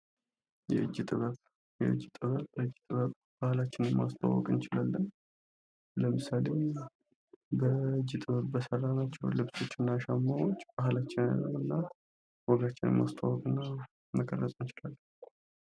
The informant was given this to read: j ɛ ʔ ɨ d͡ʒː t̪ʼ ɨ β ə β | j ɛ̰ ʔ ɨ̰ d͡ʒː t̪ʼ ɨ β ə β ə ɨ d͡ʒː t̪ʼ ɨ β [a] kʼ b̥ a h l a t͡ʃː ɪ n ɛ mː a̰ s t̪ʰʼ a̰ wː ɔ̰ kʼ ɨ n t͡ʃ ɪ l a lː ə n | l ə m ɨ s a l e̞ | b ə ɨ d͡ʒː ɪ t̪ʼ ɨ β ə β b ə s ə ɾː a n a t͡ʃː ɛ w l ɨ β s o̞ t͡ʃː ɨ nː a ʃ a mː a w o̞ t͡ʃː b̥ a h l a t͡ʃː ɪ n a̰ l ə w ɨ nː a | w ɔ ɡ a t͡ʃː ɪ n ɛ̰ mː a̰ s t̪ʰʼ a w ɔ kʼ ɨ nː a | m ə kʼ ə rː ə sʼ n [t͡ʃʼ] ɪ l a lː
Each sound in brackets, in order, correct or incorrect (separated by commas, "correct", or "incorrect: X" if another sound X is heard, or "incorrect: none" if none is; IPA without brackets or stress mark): incorrect: ə, incorrect: t͡ʃ